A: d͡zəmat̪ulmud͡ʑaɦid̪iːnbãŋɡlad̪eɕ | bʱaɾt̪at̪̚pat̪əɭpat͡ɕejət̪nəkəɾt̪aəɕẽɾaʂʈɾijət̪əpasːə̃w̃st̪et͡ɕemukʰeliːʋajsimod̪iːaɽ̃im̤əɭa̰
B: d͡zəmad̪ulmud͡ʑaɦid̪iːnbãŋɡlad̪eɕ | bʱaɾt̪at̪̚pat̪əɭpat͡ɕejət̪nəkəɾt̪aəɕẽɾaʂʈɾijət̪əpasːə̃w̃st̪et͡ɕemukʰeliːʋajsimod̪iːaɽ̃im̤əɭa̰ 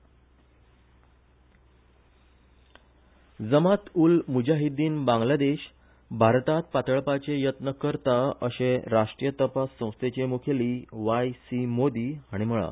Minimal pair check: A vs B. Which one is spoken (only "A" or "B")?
A